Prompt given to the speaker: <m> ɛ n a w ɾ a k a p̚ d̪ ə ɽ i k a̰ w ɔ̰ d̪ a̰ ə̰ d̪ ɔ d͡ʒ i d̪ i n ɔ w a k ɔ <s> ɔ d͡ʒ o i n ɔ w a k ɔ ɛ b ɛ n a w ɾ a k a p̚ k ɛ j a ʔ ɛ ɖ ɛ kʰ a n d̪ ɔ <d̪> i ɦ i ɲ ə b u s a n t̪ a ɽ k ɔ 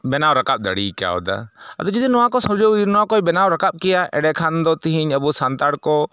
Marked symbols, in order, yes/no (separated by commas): no, yes, no